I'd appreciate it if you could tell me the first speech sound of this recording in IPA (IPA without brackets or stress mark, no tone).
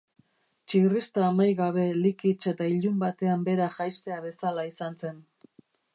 t͡ʃ